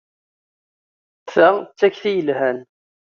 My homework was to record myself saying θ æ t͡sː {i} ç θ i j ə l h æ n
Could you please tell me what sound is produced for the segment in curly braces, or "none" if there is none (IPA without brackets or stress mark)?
æ